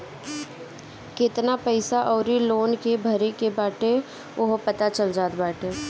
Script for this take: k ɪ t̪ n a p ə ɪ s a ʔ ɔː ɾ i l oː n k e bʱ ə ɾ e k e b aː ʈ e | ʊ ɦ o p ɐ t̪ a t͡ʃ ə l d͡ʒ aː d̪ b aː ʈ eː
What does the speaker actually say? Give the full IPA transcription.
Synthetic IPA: k ɪ t̪ n a p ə ɪ s a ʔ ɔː ɾ i l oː n k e bʱ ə ɾ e k e b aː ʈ e | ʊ ɦ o p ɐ t̪ a t͡ʃ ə l d͡ʒ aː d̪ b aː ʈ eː